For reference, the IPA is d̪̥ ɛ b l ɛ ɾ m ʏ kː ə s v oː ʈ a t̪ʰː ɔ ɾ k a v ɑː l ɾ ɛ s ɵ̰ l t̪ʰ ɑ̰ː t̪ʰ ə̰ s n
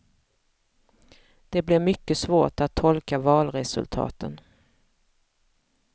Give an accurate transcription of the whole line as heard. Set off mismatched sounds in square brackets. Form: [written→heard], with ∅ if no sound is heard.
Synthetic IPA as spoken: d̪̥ ɛ b l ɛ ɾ m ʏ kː ə s v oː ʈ a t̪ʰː ɔ [ɾ→l] k a v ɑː l ɾ ɛ s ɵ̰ l t̪ʰ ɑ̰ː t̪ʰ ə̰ [s→∅] n

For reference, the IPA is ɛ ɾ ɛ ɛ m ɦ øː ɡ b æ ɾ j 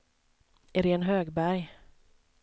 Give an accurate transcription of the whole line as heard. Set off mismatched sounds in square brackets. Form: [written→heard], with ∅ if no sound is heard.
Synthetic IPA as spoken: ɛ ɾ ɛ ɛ [m→n] ɦ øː ɡ b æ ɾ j

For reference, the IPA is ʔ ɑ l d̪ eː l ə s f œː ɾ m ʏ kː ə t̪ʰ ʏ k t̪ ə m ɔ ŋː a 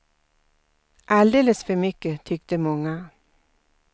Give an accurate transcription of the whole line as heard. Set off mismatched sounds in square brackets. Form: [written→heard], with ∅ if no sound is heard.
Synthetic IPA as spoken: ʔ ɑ l d̪ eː l ə s f [œː→œ] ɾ m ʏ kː ə t̪ʰ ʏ k t̪ ə m ɔ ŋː a

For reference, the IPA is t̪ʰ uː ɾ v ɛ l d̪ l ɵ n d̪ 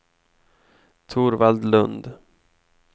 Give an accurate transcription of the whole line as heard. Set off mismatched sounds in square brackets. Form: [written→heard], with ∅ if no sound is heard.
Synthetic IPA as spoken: t̪ʰ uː ɾ v [ɛ→a] l d̪ l ɵ n d̪

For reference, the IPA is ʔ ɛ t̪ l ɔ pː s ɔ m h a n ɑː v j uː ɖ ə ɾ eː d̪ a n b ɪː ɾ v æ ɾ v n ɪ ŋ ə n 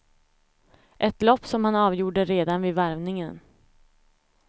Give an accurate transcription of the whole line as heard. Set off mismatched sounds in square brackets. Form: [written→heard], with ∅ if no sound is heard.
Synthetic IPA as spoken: ʔ ɛ t̪ l ɔ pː s ɔ m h a n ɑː v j uː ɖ ə ɾ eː d̪ a n [b→v] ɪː [ɾ→∅] v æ ɾ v n ɪ ŋ ə n

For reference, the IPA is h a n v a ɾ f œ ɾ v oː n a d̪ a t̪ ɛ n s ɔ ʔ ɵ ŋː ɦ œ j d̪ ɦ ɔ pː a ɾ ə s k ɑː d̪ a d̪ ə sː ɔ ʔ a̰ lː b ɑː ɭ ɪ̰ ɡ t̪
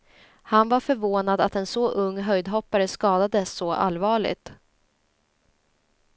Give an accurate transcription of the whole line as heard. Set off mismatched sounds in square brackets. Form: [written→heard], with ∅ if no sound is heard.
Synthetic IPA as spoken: h a n v a ɾ f œ ɾ v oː n a d̪ a t̪ ɛ n s ɔ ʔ ɵ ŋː ɦ œ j d̪ ɦ ɔ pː a ɾ ə s k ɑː d̪ a d̪ ə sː ɔ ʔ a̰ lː [b→v] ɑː ɭ ɪ̰ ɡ t̪

